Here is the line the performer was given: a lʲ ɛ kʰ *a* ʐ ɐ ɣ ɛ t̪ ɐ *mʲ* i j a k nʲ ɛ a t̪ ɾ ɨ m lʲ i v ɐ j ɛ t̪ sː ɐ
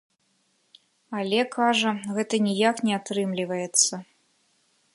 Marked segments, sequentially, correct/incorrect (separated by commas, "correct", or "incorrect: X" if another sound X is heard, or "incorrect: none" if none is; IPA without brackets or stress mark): correct, incorrect: nʲ